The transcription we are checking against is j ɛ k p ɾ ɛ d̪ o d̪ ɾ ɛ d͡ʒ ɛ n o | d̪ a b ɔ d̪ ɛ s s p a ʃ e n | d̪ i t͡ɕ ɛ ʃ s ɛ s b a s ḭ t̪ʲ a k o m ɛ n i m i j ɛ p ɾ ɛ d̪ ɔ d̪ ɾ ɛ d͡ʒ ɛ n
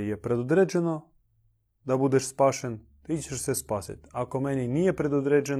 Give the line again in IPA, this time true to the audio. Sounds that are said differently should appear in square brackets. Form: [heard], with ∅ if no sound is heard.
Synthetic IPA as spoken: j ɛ [∅] p ɾ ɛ d̪ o d̪ ɾ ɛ d͡ʒ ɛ n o | d̪ a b [u] d̪ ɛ [ʃ] s p a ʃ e n | [t̪] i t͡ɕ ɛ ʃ s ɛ s [p] a s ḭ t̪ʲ a k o m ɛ n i [n] i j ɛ p ɾ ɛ d̪ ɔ d̪ ɾ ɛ d͡ʒ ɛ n